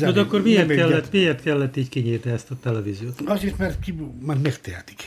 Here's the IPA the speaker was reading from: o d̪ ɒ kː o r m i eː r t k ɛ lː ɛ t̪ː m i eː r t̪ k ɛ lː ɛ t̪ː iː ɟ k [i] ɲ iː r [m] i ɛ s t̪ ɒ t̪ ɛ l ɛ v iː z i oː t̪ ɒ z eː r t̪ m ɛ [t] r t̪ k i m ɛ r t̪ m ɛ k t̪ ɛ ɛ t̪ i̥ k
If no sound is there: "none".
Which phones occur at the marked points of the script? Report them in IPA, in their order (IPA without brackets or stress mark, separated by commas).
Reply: i, n, none